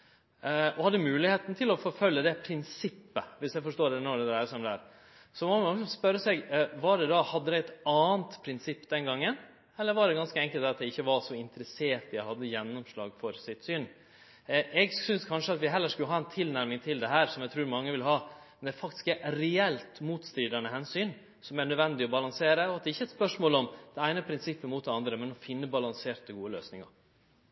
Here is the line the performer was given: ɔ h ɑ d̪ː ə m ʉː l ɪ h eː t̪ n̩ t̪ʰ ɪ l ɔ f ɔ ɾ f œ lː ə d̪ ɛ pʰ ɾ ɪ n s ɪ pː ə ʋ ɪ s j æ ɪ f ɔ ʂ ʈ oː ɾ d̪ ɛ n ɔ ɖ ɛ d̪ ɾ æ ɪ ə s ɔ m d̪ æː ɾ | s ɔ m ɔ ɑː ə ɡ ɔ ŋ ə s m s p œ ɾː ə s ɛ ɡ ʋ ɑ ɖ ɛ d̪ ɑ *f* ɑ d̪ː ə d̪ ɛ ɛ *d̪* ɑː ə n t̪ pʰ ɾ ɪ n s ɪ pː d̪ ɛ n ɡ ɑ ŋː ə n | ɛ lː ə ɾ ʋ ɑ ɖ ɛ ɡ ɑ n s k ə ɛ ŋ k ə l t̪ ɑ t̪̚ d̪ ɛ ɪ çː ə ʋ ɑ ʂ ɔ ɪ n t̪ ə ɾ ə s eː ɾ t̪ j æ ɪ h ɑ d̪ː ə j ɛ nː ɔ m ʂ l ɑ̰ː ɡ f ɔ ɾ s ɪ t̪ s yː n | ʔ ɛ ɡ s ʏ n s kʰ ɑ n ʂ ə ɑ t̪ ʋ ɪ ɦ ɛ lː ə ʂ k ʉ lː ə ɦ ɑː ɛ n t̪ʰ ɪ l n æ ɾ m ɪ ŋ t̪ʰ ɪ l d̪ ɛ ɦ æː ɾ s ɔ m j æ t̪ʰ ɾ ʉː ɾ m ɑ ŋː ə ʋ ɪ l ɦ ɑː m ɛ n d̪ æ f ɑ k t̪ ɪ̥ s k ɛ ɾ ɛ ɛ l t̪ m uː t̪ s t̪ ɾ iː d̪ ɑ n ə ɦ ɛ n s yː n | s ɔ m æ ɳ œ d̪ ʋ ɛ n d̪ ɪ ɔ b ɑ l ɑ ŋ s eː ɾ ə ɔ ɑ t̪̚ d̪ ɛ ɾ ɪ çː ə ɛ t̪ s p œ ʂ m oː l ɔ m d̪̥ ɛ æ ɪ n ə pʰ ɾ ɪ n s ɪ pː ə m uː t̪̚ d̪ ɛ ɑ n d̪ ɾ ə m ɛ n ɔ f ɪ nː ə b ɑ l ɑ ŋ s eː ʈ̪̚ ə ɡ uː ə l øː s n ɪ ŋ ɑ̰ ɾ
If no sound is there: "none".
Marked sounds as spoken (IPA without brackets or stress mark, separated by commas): h, t̪